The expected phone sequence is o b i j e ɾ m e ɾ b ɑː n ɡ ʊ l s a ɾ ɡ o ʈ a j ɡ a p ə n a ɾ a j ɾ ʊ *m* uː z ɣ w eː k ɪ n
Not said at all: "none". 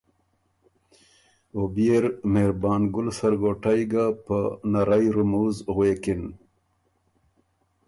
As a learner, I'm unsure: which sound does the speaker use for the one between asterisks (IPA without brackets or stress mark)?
m